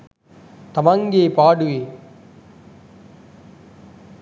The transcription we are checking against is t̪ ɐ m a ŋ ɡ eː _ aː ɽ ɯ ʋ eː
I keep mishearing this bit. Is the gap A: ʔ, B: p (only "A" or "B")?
B